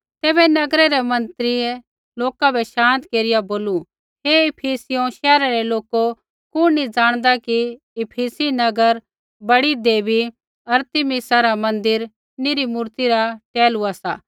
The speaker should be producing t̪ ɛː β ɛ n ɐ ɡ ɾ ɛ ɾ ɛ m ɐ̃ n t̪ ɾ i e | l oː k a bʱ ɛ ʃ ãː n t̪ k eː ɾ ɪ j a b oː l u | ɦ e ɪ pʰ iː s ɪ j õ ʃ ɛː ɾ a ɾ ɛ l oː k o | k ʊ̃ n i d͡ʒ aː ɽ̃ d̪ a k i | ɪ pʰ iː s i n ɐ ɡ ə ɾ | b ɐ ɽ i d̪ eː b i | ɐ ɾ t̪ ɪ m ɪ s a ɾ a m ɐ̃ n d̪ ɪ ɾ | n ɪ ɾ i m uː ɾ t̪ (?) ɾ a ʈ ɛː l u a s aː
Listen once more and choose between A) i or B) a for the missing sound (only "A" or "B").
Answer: A